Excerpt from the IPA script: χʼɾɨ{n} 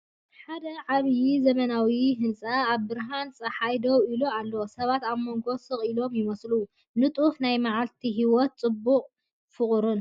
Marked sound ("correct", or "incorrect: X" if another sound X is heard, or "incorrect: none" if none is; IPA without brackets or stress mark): correct